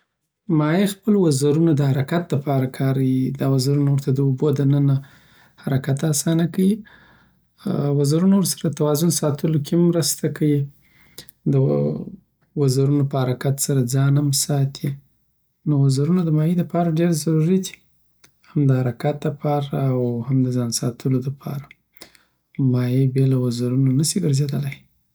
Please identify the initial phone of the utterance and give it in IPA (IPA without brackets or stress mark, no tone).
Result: m